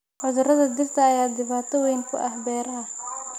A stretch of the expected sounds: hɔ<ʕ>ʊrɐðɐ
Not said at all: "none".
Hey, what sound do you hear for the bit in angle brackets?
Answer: ð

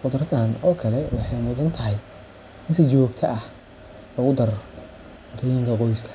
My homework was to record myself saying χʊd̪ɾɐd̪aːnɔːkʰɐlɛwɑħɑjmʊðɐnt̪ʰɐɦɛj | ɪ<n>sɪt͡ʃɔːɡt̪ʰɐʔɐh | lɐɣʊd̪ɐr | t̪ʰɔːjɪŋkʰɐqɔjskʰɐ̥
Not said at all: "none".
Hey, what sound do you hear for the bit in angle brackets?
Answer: n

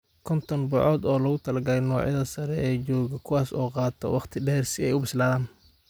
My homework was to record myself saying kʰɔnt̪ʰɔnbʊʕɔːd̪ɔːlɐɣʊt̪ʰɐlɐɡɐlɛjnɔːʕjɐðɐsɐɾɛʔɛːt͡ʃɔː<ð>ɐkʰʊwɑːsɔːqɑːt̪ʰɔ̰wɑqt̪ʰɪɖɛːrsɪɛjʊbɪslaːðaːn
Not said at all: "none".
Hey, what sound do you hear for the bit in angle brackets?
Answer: ɣ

